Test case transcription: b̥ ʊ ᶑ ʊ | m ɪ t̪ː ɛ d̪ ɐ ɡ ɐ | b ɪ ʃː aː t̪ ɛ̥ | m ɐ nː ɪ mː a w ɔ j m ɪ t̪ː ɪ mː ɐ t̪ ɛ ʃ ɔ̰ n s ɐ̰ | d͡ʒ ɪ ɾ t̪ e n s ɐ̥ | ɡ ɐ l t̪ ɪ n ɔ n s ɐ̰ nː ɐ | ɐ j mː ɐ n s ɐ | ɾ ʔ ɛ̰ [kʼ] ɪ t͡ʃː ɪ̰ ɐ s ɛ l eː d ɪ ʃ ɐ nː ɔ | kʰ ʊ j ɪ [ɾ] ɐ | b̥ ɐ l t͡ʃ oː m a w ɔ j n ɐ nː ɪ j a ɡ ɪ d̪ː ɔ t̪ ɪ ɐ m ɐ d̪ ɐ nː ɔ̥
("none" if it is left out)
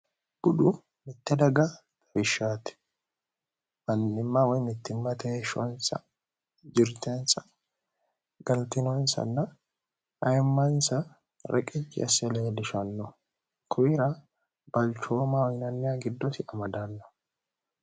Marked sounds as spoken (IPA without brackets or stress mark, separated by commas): kʼ, ɾ